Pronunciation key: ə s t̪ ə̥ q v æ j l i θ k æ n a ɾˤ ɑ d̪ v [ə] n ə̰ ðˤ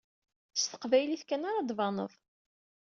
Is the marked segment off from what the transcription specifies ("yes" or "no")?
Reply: yes